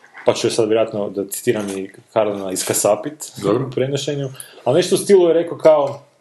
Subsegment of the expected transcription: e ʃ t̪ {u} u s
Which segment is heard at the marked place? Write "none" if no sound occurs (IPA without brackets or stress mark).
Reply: o